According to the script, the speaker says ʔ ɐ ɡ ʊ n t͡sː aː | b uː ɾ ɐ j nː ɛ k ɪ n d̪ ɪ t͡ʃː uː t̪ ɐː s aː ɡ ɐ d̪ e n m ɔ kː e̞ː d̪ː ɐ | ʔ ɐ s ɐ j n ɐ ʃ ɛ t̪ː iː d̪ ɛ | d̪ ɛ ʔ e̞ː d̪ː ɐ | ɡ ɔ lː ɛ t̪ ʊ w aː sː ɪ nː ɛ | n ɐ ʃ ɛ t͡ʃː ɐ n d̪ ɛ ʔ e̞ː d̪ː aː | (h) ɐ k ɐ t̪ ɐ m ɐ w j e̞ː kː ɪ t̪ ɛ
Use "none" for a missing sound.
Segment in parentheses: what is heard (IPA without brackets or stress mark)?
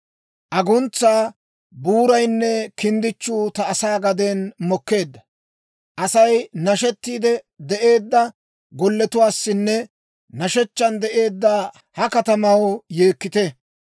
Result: h